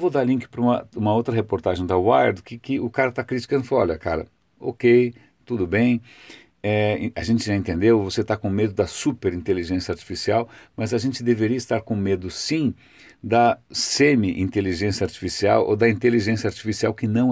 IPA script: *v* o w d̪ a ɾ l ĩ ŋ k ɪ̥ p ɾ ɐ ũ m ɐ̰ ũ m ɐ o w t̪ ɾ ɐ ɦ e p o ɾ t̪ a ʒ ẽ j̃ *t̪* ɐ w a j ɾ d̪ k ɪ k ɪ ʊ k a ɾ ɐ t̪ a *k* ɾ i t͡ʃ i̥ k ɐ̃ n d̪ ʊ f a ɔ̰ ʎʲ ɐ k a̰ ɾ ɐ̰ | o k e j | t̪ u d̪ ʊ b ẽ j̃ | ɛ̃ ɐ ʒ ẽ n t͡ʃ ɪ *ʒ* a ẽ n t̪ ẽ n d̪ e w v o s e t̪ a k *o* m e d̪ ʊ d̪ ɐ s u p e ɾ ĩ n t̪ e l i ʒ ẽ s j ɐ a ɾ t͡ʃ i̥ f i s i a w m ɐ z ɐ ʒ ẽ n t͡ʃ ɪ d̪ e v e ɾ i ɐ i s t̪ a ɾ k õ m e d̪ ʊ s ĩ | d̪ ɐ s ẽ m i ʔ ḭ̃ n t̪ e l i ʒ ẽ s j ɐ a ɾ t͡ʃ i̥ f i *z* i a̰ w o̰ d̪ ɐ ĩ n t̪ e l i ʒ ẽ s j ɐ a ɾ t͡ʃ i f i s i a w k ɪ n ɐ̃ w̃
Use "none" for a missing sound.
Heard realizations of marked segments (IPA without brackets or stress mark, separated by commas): v, d̪, k, ʒ, õ, s